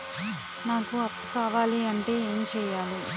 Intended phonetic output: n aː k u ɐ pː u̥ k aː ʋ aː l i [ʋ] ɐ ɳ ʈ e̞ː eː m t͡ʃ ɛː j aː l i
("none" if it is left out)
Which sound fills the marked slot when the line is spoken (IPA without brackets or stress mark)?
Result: none